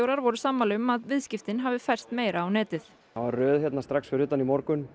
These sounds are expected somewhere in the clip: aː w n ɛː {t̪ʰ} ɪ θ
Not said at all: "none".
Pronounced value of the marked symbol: t̪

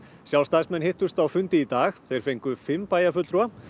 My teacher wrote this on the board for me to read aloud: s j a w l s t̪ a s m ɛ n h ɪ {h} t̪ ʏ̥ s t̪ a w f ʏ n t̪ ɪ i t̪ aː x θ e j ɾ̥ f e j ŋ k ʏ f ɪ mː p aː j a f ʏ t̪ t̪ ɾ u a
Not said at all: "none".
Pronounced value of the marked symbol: h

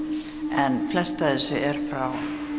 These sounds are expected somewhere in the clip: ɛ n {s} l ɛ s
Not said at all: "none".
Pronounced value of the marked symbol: f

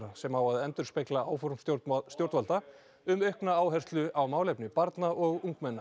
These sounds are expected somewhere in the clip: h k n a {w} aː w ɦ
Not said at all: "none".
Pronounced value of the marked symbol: none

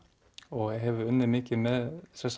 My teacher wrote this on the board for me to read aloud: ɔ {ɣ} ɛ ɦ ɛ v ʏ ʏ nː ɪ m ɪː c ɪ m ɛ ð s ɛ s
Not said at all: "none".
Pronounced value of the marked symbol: ɣ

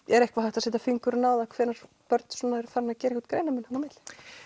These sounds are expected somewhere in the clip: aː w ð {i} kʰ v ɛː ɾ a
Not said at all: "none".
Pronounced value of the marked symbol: a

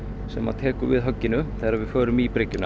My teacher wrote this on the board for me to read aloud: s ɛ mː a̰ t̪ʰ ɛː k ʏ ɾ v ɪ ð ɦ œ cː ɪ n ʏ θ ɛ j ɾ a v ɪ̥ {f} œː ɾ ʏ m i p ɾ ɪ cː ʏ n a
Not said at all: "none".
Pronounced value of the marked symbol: f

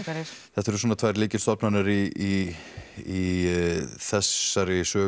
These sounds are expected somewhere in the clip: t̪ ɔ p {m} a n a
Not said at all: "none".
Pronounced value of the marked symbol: n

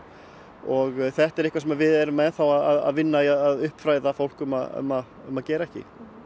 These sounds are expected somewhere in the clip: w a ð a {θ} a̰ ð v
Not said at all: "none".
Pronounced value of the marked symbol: ð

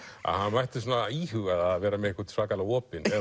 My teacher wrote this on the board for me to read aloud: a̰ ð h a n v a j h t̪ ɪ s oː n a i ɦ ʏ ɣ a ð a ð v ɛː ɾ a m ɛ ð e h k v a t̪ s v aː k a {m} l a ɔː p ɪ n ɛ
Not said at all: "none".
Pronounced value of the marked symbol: none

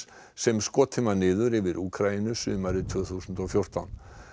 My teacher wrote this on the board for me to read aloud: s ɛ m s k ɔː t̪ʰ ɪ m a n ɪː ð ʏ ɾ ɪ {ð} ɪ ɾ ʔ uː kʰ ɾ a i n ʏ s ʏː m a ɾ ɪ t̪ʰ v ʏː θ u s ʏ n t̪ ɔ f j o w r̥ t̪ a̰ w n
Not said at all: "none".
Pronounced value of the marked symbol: v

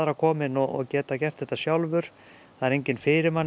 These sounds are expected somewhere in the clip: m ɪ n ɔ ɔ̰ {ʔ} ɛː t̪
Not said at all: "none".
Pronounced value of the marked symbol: c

